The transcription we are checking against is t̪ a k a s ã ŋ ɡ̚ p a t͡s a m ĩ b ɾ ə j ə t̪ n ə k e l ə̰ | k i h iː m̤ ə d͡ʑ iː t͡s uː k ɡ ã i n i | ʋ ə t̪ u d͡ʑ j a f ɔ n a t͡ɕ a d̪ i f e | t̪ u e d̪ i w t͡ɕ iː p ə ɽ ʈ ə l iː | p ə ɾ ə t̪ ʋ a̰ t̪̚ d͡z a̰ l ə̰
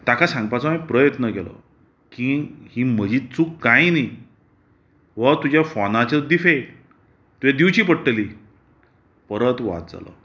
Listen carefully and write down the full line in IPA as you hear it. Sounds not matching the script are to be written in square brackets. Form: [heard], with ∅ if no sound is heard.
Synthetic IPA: t̪ a k a s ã ŋ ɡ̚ p a t͡s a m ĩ [p] ɾ ə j ə t̪ n ə k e l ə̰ | k i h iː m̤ ə d͡ʑ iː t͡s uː k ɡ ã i n i | ʋ ə t̪ u d͡ʑ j a f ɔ n a t͡ɕ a d̪ i f e | t̪ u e d̪ i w t͡ɕ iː p ə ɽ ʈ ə l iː | p ə ɾ ə t̪ ʋ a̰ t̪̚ d͡z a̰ l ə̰

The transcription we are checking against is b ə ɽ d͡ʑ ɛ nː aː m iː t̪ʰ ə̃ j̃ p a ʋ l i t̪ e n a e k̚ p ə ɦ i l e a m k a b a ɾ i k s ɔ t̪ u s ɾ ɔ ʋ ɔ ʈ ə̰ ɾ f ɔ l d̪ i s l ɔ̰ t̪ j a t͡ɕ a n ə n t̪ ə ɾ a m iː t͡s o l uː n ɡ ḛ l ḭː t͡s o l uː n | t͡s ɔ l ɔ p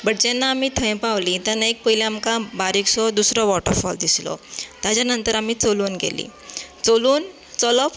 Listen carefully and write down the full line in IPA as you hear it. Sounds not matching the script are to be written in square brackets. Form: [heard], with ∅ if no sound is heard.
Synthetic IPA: b ə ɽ d͡ʑ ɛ nː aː m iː t̪ʰ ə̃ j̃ p a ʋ l i t̪ [a] n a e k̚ p ə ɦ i l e a m k a b a ɾ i k s ɔ [d̪] u s ɾ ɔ ʋ ɔ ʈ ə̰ ɾ f ɔ l d̪ i s l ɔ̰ t̪ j a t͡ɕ a n ə n t̪ ə ɾ a m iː t͡s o l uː n ɡ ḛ l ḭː t͡s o l uː n | t͡s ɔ l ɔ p

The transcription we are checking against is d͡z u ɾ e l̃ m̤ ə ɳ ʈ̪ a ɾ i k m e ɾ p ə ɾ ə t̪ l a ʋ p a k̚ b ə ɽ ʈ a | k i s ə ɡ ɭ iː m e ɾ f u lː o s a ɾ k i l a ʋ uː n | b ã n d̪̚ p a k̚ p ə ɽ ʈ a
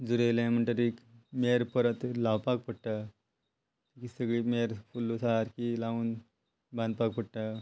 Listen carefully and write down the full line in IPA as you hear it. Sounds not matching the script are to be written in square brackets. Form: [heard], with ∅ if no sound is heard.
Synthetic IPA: d͡z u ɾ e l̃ m̤ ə ɳ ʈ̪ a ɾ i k m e ɾ p ə ɾ ə t̪ l a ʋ p a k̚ [p] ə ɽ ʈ a | k i s ə ɡ ɭ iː m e ɾ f u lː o s a ɾ k i l a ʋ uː n | b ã n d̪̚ p a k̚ p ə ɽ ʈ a

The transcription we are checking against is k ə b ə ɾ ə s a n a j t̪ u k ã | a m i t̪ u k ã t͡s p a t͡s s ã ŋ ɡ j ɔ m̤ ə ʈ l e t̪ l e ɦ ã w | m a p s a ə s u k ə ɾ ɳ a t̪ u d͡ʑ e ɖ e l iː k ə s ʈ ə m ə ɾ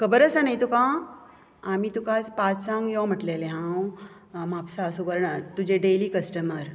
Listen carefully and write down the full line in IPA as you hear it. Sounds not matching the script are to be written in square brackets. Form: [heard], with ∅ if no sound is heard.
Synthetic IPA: k ə b ə ɾ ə s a n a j t̪ u k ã | a m i t̪ u k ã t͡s p a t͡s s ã ŋ ɡ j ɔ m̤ ə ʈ l e [∅] l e ɦ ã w | m a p s a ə s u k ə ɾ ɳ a t̪ u d͡ʑ e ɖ e l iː k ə s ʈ ə m ə ɾ

